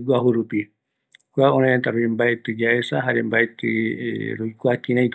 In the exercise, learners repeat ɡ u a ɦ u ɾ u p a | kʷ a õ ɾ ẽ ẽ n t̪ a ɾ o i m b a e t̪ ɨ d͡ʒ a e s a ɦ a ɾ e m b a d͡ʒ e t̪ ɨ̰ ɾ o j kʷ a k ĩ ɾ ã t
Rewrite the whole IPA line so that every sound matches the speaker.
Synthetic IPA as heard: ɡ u a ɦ u ɾ u p i | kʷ a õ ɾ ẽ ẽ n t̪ a ɾ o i m b a e t̪ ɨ d͡ʒ a e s a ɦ a ɾ e m b a e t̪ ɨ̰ ɾ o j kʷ a k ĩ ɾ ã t

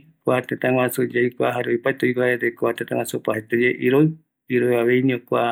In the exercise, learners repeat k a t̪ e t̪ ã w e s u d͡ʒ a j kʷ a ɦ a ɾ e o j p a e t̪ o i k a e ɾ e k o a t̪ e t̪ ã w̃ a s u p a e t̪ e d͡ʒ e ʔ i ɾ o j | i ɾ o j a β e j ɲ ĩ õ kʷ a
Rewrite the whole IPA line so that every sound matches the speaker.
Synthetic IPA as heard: k a t̪ e t̪ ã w a s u d͡ʒ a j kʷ a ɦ a ɾ e o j p a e t̪ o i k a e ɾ e k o a t̪ e t̪ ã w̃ a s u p a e t̪ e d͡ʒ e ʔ i ɾ o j | i ɾ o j a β e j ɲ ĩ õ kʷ a

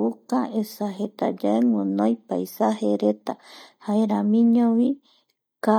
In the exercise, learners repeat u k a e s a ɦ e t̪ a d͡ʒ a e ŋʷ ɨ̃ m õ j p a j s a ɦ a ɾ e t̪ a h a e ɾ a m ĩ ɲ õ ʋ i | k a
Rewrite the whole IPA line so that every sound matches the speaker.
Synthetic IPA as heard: u k a e s a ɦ e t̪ a d͡ʒ a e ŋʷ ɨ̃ n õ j p a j s a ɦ e ɾ e t̪ a h a e ɾ a m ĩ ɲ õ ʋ i | k a

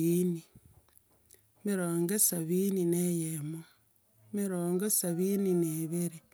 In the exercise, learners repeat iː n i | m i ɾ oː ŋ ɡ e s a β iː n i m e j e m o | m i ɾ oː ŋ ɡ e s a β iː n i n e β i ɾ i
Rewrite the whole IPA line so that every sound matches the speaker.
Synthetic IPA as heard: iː n i | m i ɾ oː ŋ ɡ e s a β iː n i n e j e m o | m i ɾ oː ŋ ɡ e s a β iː n i n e β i ɾ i

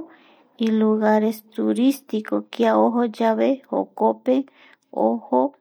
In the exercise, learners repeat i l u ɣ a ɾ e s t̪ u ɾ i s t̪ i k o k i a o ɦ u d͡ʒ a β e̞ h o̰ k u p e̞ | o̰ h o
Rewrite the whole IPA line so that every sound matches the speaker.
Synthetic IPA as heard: i l u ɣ a ɾ e s t̪ u ɾ i s t̪ i k o k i a o ɦ o d͡ʒ a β e̞ h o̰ k o p e̞ | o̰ h o

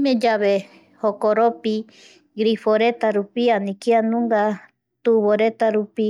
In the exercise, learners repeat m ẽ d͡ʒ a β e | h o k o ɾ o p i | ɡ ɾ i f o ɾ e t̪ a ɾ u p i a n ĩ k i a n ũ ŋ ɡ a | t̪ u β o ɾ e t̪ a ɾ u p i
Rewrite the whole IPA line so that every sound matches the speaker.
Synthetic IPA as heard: m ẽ d͡ʒ a β e | h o k o ɾ o p i | ɡ ɾ i f o ɾ e t̪ a ɾ u p i a n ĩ k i a n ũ ŋ ɡ a | t̪ u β o ɾ e t̪ a ɾ u p i

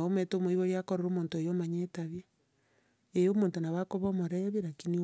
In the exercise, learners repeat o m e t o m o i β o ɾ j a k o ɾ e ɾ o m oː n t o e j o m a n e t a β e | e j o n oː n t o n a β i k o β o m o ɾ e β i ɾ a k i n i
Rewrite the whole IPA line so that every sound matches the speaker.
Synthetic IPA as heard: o m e t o m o i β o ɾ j a k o ɾ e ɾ o m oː n t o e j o m a ɲ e t a β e | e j o m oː n t o n a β a k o β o m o ɾ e β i ɾ a k i n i

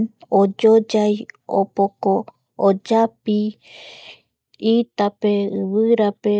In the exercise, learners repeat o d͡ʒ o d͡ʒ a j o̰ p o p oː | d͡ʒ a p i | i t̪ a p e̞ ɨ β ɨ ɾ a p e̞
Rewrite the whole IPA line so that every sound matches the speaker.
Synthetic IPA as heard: o d͡ʒ o d͡ʒ a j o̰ p o k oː | d͡ʒ a p i | i t̪ a p e̞ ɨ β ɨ ɾ a p e̞

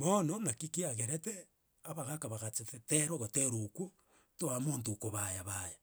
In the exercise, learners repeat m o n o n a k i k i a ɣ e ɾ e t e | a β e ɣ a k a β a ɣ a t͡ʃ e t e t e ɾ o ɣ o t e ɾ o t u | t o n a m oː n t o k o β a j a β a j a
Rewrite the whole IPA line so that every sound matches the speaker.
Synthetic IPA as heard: m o n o n a k i k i a ɣ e ɾ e t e | a β a ɣ a k a β a ɣ a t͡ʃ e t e t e ɾ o ɣ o t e ɾ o k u | t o a m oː n t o k o β a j a β a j a

